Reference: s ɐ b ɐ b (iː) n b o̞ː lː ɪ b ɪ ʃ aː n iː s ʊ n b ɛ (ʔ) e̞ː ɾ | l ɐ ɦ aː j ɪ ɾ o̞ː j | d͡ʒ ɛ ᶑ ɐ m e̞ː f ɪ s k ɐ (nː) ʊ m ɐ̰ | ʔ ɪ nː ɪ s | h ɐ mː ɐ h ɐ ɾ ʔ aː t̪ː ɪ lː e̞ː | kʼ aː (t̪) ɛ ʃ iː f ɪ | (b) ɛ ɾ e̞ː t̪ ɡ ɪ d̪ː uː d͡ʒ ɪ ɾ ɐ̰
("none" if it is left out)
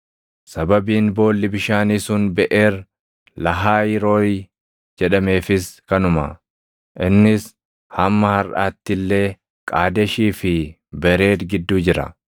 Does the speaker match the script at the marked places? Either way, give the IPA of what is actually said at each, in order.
iː, ʔ, n, d̪, b

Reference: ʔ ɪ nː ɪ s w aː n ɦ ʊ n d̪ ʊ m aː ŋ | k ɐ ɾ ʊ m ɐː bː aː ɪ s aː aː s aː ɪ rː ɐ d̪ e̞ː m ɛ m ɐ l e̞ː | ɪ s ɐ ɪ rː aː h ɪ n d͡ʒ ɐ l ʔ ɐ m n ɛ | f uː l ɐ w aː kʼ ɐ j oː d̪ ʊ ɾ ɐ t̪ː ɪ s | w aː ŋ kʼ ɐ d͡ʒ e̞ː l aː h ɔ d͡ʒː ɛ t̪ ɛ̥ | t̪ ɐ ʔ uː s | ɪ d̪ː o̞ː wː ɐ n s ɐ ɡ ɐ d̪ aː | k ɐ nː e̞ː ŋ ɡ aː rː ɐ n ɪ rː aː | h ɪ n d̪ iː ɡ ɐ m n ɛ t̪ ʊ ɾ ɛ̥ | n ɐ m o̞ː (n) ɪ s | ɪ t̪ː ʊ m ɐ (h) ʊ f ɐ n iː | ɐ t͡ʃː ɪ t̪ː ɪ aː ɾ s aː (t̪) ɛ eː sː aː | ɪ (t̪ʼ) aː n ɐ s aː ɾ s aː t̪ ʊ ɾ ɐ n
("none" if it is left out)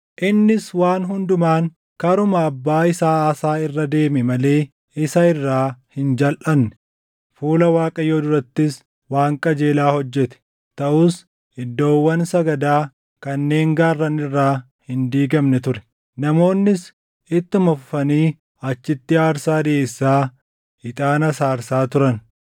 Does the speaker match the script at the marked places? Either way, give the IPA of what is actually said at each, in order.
nː, f, d̪, t̪ʼ

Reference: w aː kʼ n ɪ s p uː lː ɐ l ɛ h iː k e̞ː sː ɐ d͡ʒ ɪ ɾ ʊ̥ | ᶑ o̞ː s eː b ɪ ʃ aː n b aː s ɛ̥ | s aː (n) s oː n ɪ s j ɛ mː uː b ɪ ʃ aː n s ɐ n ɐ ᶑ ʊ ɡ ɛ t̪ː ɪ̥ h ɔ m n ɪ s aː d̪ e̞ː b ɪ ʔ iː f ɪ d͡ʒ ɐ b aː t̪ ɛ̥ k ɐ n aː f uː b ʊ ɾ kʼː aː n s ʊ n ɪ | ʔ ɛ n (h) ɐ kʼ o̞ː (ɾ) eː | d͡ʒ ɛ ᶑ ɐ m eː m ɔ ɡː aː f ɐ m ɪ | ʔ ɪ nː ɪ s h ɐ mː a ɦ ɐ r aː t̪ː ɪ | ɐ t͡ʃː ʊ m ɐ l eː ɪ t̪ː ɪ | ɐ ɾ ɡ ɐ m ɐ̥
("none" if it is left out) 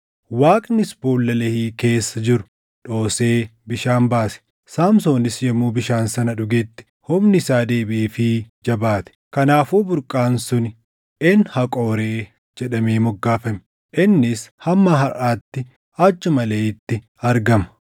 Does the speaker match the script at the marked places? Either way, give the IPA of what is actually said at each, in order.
m, h, ɾ

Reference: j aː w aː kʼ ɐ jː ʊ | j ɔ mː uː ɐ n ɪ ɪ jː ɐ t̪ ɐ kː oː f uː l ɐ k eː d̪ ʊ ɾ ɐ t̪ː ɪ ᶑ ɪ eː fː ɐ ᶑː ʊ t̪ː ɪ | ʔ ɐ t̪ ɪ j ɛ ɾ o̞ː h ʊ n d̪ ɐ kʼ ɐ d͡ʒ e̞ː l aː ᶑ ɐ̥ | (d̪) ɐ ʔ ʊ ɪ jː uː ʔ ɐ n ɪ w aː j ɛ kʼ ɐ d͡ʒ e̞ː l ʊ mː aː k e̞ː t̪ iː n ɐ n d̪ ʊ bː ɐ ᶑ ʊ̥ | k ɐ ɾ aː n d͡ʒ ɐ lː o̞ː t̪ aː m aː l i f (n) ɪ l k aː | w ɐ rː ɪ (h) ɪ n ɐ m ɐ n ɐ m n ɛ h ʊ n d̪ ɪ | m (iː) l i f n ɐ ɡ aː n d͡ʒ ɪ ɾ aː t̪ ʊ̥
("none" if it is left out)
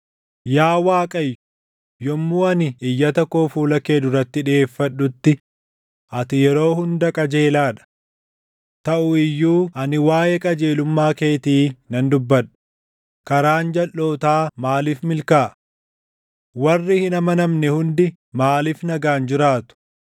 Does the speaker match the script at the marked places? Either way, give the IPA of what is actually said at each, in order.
t̪, m, h, aː

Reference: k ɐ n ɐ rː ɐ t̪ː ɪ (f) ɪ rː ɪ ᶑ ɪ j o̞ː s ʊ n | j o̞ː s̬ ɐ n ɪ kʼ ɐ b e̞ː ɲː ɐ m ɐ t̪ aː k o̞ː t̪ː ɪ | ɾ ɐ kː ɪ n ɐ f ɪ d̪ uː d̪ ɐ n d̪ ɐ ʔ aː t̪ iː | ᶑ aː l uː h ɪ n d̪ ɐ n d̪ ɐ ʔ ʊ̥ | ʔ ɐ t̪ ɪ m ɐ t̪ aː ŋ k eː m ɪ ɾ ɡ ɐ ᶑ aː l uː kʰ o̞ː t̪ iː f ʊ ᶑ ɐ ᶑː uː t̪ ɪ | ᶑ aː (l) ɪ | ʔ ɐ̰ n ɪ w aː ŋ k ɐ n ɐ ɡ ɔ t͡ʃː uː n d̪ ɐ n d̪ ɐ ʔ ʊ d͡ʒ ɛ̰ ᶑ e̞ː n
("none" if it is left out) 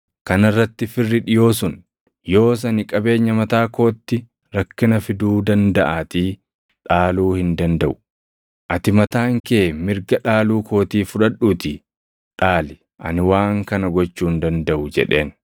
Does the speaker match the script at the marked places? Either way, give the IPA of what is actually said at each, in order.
f, l

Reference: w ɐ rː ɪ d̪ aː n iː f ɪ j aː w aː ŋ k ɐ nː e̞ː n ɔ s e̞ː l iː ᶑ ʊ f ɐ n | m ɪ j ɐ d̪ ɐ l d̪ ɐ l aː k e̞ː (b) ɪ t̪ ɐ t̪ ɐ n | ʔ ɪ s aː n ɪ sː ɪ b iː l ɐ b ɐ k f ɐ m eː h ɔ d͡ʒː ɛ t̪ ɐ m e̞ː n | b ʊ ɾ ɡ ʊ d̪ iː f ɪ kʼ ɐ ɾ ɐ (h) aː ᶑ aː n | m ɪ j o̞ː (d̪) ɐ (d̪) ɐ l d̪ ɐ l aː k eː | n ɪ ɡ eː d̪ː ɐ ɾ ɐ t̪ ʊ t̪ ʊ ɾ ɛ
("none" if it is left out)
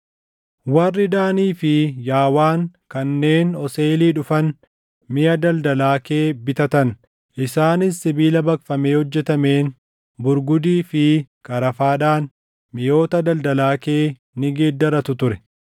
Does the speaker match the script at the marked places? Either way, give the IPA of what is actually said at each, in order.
b, f, t̪, d̪

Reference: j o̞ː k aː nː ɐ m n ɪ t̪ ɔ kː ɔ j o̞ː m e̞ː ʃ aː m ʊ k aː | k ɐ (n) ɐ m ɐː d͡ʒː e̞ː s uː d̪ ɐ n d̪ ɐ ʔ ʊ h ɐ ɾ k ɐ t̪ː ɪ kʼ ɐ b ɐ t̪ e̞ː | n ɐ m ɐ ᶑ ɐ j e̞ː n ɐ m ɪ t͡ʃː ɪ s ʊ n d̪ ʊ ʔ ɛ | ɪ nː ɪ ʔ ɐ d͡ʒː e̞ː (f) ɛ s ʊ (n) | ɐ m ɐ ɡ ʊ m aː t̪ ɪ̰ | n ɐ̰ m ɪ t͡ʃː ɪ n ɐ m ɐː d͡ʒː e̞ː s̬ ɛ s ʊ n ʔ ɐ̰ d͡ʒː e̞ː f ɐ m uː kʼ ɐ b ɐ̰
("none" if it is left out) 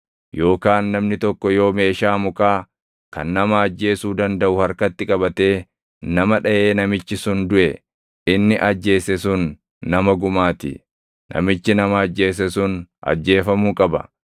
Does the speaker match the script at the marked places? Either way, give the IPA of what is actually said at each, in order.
nː, s, nː

